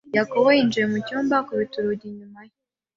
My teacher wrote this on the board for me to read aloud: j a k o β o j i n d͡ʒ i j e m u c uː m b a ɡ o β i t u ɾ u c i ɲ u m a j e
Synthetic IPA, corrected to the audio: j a k o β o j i n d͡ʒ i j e m u c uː m b a k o β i t u ɾ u ɟ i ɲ u m a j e